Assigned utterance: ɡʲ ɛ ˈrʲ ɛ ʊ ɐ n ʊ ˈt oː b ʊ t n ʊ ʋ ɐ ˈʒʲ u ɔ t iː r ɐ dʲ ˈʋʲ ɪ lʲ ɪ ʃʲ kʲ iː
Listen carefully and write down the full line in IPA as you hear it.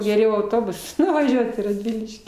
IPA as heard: ɡʲ ɛ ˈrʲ ɛ ʊ ɐ ʊ ˈt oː b ʊ s n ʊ ʋ ɐ ˈʒʲ u ɔ t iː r ɐ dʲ ˈʋʲ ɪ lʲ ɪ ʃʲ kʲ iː

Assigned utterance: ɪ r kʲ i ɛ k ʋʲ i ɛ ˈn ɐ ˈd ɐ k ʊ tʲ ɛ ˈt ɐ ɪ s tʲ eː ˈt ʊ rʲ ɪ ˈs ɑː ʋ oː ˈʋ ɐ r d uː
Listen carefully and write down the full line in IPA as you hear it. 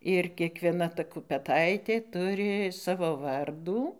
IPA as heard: ɪ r kʲ i ɛ k ʋʲ i ɛ ˈn ɐ ˈt ɐ k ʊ pʲ ɛ ˈt ɐ ɪ tʲ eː ˈt ʊ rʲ ɪ ˈs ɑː ʋ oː ˈʋ ɐ r d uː

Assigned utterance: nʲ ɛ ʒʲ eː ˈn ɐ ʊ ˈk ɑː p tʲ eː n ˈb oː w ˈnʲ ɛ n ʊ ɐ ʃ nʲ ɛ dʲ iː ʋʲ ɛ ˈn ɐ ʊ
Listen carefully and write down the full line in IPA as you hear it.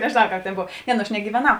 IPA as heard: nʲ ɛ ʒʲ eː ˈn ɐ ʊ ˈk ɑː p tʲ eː n ˈb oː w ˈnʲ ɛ n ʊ ɐ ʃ nʲ ɛ ɡʲ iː ʋʲ ɛ ˈn ɐ ʊ

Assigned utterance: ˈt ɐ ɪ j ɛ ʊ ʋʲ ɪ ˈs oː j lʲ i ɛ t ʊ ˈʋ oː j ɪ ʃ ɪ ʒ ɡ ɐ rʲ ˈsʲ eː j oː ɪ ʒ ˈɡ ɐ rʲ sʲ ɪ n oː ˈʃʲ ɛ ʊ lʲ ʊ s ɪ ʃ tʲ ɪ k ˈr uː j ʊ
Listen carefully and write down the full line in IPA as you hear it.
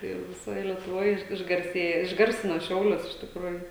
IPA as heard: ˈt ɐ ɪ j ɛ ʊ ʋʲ ɪ ˈs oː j lʲ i ɛ t ʊ ˈʋ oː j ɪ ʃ ɪ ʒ ɡ ɐ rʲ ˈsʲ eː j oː ɪ ʒ ˈɡ ɐ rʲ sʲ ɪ n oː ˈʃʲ ɛ ʊ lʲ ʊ s ɪ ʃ tʲ ɪ k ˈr uː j ʊ

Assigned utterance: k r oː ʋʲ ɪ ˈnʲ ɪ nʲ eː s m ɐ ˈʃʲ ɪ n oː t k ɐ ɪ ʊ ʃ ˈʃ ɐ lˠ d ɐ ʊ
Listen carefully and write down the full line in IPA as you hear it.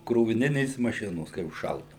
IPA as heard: k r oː ʋʲ ɪ ˈnʲ ɪ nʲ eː s m ɐ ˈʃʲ ɪ n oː s k ɐ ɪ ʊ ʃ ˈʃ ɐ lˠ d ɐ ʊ

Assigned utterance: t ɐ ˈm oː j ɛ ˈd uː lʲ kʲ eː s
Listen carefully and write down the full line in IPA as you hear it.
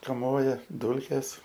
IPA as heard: k ɐ ˈm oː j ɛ ˈd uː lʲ kʲ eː s

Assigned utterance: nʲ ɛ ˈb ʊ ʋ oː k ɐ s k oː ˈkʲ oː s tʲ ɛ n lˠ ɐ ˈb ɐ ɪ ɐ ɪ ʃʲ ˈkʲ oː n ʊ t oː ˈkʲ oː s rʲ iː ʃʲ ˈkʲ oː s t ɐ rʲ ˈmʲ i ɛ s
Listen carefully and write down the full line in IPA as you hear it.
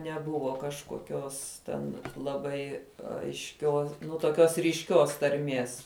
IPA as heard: nʲ ɛ ˈb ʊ ʋ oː k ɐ ʃ k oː ˈkʲ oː s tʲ ɛ n lˠ ɐ ˈb ɐ ɪ ɐ ɪ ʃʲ ˈkʲ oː n ʊ t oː ˈkʲ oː s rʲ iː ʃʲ ˈkʲ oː s t ɐ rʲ ˈmʲ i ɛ s

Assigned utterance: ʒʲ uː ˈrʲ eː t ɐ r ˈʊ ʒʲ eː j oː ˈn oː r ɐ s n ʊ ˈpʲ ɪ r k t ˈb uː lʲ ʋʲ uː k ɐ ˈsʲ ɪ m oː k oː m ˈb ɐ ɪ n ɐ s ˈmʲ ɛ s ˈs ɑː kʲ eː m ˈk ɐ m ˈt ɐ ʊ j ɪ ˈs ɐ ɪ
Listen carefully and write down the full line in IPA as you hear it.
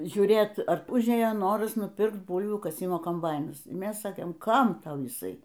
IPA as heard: ʒʲ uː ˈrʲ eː t ɐ r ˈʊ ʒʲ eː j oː ˈn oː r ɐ s n ʊ ˈpʲ ɪ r k t ˈb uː lʲ ʋʲ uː k ɐ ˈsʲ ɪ m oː k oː m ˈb ɐ ɪ n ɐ s ˈmʲ ɛ s ˈs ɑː kʲ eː m ˈk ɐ m ˈt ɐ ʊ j ɪ ˈs ɐ ɪ

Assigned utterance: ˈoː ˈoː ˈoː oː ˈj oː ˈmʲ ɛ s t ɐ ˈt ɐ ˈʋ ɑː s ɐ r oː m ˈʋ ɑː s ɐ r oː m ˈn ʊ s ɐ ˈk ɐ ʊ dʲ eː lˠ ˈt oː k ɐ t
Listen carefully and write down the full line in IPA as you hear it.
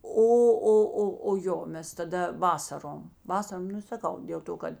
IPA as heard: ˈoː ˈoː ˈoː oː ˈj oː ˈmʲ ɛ s t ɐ ˈd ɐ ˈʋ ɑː s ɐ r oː m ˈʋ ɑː s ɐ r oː m ˈn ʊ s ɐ ˈk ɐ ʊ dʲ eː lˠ ˈt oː k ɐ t

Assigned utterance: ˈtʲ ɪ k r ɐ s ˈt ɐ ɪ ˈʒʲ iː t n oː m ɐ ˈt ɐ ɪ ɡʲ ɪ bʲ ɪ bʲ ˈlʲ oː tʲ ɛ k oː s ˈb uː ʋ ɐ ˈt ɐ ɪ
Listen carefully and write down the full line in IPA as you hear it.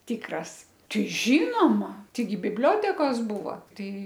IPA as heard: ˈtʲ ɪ k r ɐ s ˈt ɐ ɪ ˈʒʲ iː n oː m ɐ ˈt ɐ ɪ ɡʲ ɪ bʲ ɪ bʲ ˈlʲ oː tʲ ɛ k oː s ˈb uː ʋ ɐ ˈt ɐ ɪ

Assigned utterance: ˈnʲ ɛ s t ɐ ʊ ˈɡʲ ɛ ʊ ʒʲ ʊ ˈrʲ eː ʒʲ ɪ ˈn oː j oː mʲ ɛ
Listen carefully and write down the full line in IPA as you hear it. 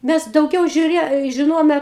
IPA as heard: ˈmʲ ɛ s d ɐ ʊ ˈɡʲ ɛ ʊ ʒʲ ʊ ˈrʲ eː ʒʲ ɪ ˈn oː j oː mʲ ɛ

